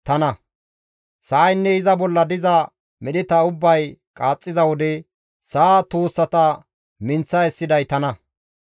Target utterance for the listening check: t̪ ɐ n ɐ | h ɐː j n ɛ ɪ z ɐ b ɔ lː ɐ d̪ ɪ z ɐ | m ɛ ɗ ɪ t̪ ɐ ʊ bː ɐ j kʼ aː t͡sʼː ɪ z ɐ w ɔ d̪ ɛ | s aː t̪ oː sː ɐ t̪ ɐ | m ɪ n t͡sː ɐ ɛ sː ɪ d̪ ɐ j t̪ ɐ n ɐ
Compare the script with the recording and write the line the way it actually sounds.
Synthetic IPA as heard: t̪ ɐ n ɐ | s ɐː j nː ɛ ɪ z ɐ b ɔ lː ɐ d̪ ɪ z ɐ | m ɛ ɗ ɪ t̪ ɐ ʊ bː ɐ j kʼ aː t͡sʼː ɪ z ɐ w ɔ d̪ ɛ | s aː t̪ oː sː ɐ t̪ ɐ | m ɪ n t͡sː ɐ ɛ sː ɪ d̪ ɐ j t̪ ɐ n ɐ